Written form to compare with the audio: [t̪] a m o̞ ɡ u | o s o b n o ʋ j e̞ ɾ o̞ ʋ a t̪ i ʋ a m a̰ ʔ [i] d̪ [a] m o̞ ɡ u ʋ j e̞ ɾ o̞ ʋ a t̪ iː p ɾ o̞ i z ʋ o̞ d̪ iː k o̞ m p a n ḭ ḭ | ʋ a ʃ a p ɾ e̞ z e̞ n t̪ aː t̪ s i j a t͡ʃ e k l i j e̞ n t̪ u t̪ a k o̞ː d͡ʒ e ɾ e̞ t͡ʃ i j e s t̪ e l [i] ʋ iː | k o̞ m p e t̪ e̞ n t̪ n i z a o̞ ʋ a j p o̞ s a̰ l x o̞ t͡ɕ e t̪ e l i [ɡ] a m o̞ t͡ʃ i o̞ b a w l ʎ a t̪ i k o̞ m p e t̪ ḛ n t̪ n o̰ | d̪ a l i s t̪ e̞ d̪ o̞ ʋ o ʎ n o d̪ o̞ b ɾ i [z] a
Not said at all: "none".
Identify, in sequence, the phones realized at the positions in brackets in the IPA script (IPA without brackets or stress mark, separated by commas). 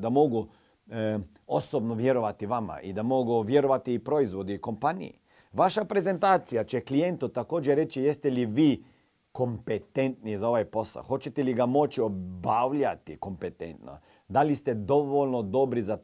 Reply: d̪, i, a, i, ɡ, z